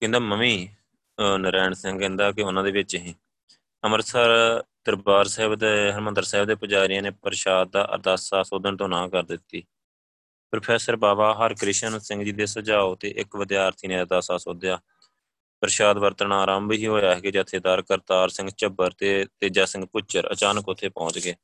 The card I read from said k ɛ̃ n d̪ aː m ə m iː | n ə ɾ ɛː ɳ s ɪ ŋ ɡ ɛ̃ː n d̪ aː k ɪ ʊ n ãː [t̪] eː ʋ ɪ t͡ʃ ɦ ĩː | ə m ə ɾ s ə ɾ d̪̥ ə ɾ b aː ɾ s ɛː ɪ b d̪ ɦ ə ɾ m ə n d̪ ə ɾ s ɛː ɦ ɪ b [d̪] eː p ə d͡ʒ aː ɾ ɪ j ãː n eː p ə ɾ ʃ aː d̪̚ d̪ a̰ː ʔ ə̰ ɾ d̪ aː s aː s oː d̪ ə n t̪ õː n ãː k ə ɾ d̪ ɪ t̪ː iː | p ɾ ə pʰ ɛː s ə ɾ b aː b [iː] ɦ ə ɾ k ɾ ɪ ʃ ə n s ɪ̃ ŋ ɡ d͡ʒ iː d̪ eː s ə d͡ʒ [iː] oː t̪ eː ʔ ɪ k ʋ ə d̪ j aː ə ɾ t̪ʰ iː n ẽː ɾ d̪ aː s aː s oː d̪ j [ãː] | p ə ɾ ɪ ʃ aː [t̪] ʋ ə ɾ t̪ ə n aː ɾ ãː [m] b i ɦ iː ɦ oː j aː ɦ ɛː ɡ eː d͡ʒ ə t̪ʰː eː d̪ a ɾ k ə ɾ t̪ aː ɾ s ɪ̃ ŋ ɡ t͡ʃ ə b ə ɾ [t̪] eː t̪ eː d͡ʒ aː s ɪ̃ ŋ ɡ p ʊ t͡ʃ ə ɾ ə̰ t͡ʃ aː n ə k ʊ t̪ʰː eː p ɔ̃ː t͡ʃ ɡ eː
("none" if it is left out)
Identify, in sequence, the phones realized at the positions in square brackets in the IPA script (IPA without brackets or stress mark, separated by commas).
d̪, d̪, aː, aː, aː, d̪, m, t̪